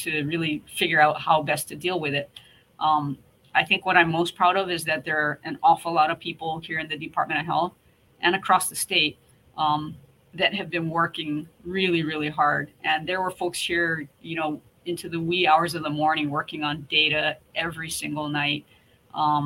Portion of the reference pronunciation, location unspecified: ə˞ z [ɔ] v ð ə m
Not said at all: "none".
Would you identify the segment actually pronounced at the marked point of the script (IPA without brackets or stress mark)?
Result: ʌ